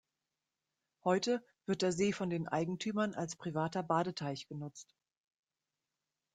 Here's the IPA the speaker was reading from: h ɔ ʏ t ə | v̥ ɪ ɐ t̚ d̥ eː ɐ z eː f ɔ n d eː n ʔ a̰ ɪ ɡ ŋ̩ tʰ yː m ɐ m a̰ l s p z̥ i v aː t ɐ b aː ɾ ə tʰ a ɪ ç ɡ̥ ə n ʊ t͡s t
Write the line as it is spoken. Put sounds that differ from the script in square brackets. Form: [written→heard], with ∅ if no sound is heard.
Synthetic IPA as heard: h ɔ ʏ t ə | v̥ ɪ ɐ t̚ d̥ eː ɐ z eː f ɔ n d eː n ʔ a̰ ɪ ɡ ŋ̩ tʰ yː m ɐ [m→n] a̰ l s p [z̥→ʁ̥] i v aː t ɐ b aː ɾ ə tʰ a ɪ ç ɡ̥ ə n ʊ t͡s t